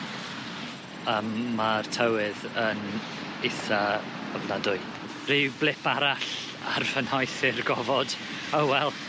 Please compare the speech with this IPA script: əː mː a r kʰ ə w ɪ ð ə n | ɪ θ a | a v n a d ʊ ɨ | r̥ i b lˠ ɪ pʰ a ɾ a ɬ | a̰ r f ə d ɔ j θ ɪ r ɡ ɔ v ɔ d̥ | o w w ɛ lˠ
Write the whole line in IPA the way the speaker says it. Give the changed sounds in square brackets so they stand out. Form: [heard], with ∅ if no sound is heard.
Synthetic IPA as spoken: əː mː a r [tʰ] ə w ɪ ð ə n | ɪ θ a | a v n a d ʊ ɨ | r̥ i b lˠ ɪ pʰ a ɾ a ɬ | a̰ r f ə [n] ɔ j θ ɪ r ɡ ɔ v ɔ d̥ | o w w ɛ lˠ